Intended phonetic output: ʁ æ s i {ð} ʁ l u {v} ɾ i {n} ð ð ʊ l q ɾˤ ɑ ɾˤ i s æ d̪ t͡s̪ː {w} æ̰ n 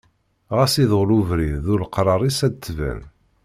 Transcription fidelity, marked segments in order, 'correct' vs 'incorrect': correct, correct, incorrect: none, incorrect: v

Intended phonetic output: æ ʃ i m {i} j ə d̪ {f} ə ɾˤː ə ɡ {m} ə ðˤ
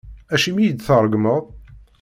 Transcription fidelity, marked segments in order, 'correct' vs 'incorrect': correct, incorrect: θ, correct

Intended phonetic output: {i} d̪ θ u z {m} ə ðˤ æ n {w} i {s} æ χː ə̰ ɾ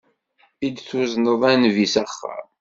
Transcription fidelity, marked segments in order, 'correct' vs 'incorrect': correct, incorrect: n, incorrect: v, correct

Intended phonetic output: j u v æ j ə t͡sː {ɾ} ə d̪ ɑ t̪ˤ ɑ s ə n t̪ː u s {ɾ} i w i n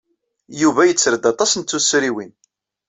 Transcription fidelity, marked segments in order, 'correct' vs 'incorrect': correct, correct

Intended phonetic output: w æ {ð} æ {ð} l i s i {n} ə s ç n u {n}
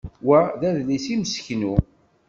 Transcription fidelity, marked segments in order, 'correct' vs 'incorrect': correct, correct, incorrect: m, incorrect: none

